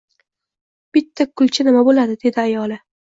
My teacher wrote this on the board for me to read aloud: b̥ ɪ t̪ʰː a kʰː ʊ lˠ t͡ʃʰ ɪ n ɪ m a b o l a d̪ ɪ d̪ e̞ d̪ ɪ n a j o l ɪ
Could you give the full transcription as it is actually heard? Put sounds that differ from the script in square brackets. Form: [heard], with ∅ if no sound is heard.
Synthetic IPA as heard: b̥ ɪ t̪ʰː a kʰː ʊ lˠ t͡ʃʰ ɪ n ɪ m a b o l a d̪ ɪ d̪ e̞ d̪ ɪ [∅] a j [ɒ] l ɪ